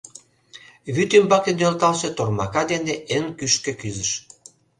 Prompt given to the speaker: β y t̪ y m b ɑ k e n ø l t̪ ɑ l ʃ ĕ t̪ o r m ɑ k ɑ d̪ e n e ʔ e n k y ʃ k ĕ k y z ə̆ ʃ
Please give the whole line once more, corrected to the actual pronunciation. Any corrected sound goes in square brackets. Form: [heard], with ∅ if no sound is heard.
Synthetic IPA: β y t̪ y m b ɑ k e n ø l t̪ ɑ l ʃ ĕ t̪ o r m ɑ k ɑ d̪ e n e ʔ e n k y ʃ k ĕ k y z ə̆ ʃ